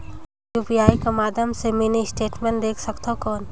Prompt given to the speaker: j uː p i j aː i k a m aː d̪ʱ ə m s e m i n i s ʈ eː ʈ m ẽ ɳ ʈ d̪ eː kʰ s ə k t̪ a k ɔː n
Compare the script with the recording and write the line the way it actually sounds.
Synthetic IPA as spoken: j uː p i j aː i k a m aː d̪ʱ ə m s e m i n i s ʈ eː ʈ m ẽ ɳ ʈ d̪ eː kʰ s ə k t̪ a k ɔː n